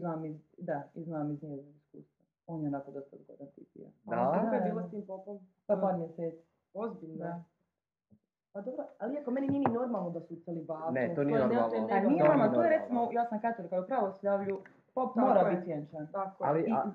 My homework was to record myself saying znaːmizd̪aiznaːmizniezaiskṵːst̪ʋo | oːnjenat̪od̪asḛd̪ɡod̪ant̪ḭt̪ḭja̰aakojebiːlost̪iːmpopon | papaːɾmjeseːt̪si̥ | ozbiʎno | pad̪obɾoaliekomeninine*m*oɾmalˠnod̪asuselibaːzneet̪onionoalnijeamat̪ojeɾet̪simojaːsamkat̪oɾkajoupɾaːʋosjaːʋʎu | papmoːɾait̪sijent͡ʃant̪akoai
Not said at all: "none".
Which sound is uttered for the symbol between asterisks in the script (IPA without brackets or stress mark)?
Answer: n